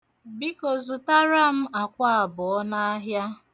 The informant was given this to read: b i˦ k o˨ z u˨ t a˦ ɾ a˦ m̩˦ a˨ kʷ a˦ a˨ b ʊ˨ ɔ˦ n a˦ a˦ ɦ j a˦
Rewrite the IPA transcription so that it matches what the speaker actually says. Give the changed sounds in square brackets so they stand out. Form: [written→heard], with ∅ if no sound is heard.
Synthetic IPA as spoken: b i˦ k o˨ z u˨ t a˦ ɾ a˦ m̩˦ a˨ kʷ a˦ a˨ b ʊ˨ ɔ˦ n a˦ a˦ ɦ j a˦